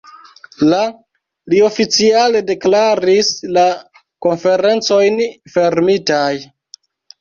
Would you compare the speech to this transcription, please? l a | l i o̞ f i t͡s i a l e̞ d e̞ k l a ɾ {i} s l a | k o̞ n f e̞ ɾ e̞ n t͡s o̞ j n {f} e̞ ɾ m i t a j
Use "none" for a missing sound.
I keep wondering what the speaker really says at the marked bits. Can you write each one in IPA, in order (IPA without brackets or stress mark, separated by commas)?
i, f